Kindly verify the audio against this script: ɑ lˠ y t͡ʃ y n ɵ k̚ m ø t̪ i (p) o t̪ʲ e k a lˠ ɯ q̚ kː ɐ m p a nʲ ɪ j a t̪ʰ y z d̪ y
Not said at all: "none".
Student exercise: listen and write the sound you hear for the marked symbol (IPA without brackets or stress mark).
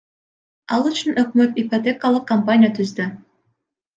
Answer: p